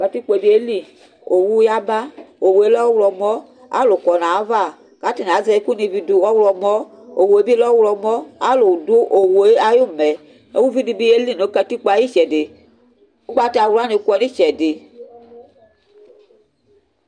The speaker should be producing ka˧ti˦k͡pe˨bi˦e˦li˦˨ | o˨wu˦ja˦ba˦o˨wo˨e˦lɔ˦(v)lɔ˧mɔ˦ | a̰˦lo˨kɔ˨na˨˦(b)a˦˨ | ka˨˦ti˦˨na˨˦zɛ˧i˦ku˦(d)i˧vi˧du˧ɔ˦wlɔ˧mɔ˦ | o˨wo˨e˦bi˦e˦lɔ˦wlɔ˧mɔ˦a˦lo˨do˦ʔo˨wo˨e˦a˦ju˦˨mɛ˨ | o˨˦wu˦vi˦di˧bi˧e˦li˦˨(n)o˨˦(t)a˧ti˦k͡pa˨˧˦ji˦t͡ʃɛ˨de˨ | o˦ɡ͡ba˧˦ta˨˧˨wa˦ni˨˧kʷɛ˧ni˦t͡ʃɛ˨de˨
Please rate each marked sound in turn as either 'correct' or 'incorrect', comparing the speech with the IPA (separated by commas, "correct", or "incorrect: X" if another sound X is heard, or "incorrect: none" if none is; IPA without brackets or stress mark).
incorrect: w, incorrect: v, incorrect: n, correct, incorrect: k